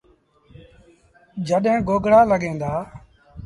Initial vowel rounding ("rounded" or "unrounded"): unrounded